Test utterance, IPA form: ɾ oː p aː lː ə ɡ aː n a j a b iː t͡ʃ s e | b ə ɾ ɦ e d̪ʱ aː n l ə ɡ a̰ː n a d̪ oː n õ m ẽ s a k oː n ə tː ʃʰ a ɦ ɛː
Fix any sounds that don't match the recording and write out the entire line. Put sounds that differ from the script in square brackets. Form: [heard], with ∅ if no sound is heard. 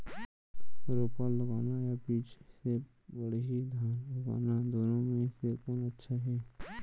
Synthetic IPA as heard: ɾ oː p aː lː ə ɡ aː n a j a b iː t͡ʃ s e | b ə [ɽ] ɦ [i] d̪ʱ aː n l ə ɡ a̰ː n a d̪ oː n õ m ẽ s [e] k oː n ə tː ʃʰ a ɦ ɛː

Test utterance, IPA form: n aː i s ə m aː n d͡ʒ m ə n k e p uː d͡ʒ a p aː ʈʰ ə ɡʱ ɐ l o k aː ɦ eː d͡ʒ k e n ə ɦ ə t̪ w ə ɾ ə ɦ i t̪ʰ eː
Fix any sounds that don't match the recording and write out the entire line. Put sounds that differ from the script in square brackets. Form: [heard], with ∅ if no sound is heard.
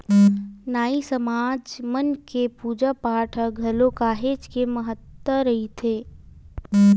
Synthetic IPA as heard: n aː i s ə m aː [∅] d͡ʒ m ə n k e p uː d͡ʒ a p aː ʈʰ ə ɡʱ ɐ l o k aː ɦ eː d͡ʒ k e [m] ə ɦ ə t̪ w ə ɾ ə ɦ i t̪ʰ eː

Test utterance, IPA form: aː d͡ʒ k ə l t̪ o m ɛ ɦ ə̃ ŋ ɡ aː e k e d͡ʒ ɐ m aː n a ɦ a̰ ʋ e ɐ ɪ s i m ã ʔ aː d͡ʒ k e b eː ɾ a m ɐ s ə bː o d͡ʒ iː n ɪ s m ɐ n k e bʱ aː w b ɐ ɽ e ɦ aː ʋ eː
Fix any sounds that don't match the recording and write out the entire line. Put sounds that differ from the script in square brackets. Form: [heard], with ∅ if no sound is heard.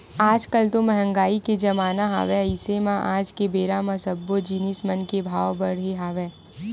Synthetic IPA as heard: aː d͡ʒ k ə l t̪ o m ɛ ɦ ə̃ ŋ ɡ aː [i] k e d͡ʒ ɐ m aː n a ɦ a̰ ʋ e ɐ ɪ s [e] m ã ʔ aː d͡ʒ k e b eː ɾ a m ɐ s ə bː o d͡ʒ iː n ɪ s m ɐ n k e bʱ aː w b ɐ ɽ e ɦ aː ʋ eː

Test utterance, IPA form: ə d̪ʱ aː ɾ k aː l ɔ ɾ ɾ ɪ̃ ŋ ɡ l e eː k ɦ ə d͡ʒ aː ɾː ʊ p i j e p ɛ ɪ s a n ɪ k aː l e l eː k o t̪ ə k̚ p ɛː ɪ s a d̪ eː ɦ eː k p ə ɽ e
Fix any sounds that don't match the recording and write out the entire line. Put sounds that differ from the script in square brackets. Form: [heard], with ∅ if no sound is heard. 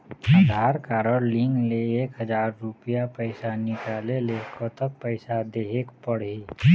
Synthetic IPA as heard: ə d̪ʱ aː ɾ k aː [ɾ] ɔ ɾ [l] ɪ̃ ŋ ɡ l e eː k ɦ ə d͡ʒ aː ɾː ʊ p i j [a] p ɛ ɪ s a n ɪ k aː l e l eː k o t̪ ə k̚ p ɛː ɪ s a d̪ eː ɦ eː k p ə ɽ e

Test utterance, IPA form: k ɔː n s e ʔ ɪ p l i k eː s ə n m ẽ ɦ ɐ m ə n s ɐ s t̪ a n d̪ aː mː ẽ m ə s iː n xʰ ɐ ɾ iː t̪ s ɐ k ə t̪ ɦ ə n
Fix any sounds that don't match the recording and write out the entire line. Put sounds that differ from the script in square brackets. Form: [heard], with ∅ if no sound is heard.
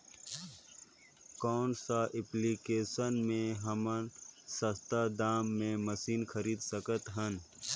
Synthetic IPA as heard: k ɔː n s [a] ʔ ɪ p l i k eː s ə n m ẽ ɦ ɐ m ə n s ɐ s t̪ a [∅] d̪ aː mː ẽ m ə s iː n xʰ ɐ ɾ iː [d̪] s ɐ k ə t̪ ɦ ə n

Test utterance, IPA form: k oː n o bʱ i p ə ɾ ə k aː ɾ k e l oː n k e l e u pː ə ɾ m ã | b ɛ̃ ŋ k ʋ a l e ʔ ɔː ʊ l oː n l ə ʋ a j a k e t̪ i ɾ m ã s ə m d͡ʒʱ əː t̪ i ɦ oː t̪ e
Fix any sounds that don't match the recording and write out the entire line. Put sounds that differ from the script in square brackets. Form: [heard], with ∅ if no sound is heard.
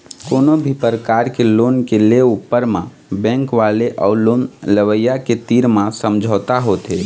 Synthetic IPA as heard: k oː n o bʱ i p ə ɾ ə k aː ɾ k e l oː n k e l e u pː ə ɾ m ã | b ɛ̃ ŋ k ʋ a l e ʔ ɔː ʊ l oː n l ə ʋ [ə] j a k e t̪ i ɾ m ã s ə m d͡ʒʱ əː t̪ [a] ɦ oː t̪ e

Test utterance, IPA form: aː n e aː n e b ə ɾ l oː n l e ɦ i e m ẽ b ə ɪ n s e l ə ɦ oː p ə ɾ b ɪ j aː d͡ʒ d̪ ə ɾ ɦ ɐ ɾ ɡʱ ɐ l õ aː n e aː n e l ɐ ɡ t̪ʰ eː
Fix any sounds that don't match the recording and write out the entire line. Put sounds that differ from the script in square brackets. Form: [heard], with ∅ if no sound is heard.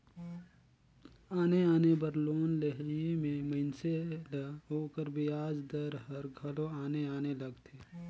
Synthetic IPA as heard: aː n e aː n e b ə ɾ l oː n l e ɦ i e m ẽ [m] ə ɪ n s e l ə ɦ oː [k] ə ɾ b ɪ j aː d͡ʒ d̪ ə ɾ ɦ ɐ ɾ ɡʱ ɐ l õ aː n e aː n e l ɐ ɡ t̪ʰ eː

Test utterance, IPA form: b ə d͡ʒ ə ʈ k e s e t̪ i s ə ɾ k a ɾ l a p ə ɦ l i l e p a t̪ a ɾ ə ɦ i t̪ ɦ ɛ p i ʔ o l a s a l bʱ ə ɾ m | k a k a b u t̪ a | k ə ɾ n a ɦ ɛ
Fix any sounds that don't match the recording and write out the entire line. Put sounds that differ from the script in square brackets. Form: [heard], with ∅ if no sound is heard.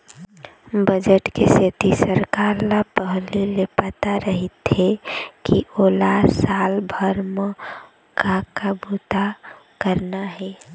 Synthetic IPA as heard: b ə d͡ʒ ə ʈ k e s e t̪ i s ə ɾ k a ɾ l a p ə ɦ l i l e p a t̪ a ɾ ə ɦ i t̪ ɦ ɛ [k] i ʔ o l a s a l bʱ ə ɾ m | k a k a b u t̪ a | k ə ɾ n a ɦ ɛ

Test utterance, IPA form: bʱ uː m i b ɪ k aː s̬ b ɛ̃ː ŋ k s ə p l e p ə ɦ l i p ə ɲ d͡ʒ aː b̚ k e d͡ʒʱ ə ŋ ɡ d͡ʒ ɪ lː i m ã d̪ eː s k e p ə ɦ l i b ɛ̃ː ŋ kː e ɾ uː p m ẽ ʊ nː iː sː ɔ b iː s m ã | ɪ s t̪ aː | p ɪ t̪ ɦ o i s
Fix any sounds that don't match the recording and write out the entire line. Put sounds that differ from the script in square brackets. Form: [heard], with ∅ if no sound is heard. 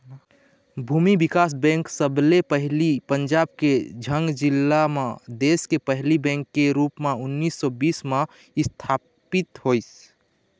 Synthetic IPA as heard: bʱ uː m i b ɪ k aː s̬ b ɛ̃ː ŋ k s ə [b] l e p ə ɦ l i p ə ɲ d͡ʒ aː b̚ k e d͡ʒʱ ə ŋ ɡ d͡ʒ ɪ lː [a] m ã d̪ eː s k e p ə ɦ l i b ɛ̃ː ŋ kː e ɾ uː p m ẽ ʊ nː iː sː ɔ b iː s m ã | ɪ s [t̪ʰ] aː | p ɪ t̪ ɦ o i s

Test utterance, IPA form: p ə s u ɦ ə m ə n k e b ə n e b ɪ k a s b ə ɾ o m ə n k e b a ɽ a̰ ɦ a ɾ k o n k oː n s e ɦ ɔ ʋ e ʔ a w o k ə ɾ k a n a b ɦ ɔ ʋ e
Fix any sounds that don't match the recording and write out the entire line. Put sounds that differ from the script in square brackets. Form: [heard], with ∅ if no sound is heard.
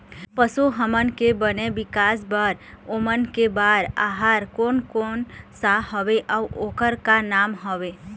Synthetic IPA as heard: p ə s u ɦ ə m ə n k e b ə n e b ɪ k a s b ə ɾ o m ə n k e b a [ɾ] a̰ ɦ a ɾ k o n k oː n s [a] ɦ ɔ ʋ e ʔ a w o k ə ɾ k a n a [m] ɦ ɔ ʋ e

